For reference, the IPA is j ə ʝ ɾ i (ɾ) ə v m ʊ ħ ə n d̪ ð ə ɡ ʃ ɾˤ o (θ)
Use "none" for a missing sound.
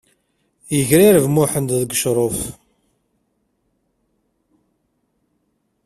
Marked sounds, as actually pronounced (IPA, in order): ɾ, f

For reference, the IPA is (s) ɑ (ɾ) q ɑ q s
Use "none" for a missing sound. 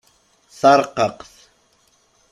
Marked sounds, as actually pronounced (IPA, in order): s, ɾ

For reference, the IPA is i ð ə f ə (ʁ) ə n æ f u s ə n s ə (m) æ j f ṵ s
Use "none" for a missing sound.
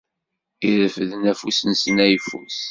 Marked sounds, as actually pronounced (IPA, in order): ð, n

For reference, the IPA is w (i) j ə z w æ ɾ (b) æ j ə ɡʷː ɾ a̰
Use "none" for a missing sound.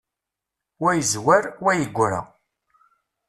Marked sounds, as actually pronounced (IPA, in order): æ, w

